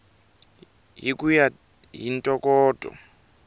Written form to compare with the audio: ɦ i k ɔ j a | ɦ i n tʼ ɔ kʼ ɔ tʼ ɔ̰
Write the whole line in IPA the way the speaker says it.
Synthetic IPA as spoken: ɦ i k u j a | ɦ i n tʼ ɔ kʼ ɔː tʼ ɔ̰